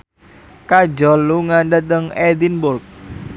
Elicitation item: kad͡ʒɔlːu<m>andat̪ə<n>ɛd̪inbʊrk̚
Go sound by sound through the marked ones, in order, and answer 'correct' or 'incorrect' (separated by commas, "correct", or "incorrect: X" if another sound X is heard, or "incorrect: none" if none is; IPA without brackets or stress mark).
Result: incorrect: ŋ, incorrect: ŋ